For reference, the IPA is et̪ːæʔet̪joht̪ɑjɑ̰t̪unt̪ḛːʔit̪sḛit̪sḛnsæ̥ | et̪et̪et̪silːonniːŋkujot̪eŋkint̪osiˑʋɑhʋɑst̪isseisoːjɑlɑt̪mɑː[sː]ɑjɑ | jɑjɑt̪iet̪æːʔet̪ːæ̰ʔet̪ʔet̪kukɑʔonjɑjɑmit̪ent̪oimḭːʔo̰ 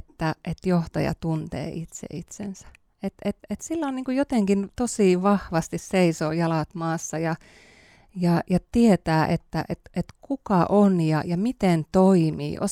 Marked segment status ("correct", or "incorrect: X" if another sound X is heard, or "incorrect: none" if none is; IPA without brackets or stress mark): correct